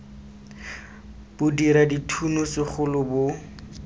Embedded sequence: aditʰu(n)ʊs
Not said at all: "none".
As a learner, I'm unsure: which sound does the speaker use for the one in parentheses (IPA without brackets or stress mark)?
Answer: n